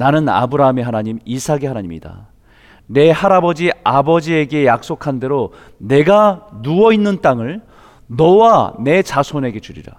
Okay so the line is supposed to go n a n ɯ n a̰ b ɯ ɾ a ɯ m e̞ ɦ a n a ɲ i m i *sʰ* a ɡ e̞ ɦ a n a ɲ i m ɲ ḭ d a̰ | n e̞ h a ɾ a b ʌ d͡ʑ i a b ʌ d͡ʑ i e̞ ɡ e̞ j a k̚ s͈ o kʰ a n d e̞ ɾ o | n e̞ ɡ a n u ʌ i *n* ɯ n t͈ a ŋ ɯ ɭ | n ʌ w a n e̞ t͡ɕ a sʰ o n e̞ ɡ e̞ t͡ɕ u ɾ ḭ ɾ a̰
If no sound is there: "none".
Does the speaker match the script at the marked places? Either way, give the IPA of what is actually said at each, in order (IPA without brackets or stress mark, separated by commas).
sʰ, nː